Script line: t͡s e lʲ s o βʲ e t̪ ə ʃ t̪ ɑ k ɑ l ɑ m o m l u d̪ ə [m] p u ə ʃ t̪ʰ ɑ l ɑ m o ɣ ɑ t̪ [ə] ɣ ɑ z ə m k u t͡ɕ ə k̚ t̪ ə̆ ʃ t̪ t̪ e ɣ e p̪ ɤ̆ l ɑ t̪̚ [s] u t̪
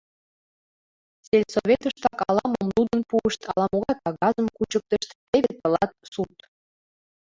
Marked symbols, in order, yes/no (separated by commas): no, no, yes